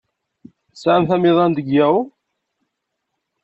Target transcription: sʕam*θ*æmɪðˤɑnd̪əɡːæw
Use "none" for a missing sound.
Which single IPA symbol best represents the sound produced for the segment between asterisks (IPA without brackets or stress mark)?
θ